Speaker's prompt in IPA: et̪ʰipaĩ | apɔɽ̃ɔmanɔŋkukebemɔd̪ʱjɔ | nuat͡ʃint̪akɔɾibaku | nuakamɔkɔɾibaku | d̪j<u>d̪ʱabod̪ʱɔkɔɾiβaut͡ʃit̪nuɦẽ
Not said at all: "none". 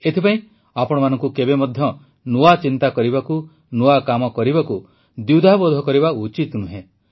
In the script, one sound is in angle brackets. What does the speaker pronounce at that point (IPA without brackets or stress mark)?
u